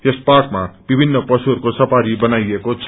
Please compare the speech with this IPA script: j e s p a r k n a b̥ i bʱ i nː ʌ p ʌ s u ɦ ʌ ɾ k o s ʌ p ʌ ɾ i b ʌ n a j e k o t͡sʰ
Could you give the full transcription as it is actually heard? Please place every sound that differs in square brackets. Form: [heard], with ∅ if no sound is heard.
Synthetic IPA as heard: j e s p a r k [m] a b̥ i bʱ i nː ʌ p ʌ s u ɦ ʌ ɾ k o s ʌ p [a] ɾ i b ʌ n a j e k o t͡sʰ

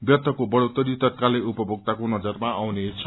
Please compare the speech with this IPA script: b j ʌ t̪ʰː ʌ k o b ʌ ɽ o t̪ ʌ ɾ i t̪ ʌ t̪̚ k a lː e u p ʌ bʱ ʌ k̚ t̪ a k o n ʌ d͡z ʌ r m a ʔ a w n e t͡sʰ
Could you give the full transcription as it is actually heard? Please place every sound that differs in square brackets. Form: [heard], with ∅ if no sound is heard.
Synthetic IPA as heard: b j ʌ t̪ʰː ʌ k o b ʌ ɽ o t̪ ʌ ɾ i t̪ ʌ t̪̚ k a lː e u p ʌ bʱ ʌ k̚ t̪ a k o n ʌ d͡z ʌ r m a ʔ a w n e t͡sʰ

